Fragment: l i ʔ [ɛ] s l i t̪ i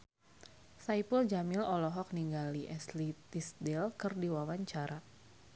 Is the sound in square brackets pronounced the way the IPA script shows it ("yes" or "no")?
yes